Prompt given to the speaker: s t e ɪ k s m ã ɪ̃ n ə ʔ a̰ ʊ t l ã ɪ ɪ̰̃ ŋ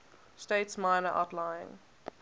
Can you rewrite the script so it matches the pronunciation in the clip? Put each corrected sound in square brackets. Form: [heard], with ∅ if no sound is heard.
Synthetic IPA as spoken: s t e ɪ [t] s m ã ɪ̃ n ə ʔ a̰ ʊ t l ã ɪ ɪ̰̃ ŋ